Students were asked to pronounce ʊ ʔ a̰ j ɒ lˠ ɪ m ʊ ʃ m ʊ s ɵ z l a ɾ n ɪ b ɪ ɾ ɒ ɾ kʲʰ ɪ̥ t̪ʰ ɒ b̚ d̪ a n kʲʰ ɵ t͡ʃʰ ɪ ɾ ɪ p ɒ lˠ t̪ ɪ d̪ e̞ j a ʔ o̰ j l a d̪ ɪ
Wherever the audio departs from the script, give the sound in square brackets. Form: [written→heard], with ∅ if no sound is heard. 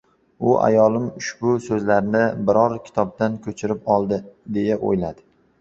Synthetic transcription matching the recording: ʊ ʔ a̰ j ɒ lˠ ɪ m ʊ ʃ [m→b] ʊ s ɵ z l a ɾ n ɪ b ɪ ɾ ɒ ɾ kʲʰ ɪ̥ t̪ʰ ɒ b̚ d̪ a n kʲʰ ɵ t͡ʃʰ ɪ ɾ ɪ p ɒ lˠ [t̪→d̪] ɪ d̪ e̞ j a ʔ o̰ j l a d̪ ɪ